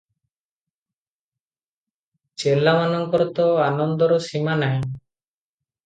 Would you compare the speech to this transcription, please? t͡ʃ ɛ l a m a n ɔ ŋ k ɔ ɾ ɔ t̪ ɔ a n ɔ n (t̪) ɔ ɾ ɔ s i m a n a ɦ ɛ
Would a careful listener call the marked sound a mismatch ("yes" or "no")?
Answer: yes